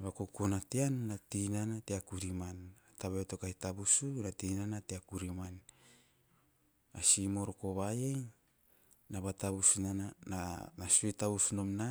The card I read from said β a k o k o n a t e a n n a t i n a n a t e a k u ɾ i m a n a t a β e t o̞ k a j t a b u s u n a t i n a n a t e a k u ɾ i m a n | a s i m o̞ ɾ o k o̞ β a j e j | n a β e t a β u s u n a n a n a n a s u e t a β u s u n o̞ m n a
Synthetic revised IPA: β a k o k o n a t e a n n a t i n a n a t e a k u ɾ i m a n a t a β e t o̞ k a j t a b u s u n a t i n a n a t e a k u ɾ i m a n | a s i m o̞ ɾ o k o̞ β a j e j | n a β a t a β u s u n a n a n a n a s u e t a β u s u n o̞ m n a